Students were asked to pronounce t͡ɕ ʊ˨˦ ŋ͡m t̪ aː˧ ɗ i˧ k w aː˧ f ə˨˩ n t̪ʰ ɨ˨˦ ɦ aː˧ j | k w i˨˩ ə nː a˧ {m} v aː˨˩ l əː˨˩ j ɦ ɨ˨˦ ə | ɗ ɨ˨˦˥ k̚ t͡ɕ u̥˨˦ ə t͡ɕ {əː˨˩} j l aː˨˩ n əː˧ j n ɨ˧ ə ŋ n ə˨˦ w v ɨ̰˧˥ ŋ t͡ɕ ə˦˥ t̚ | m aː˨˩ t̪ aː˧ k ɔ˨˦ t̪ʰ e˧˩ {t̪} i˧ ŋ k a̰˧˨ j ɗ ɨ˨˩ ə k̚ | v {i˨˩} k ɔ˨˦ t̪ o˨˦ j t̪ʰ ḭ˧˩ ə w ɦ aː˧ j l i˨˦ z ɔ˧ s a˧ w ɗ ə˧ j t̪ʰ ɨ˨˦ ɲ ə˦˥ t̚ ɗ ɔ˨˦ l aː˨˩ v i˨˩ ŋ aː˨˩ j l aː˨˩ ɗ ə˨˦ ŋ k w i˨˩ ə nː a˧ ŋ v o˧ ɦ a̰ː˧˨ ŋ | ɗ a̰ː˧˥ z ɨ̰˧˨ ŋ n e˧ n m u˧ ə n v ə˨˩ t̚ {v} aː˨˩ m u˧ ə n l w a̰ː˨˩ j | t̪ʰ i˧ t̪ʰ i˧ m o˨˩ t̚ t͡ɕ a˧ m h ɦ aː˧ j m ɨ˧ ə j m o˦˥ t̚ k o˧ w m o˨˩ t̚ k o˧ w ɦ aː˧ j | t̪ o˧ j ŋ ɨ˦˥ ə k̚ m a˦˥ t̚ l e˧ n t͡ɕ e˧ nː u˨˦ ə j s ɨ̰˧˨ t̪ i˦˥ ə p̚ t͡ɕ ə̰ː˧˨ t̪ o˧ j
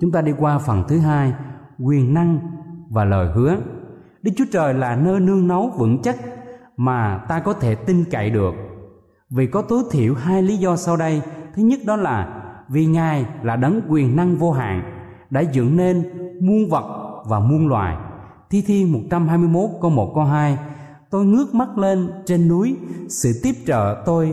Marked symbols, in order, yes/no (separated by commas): no, yes, yes, yes, yes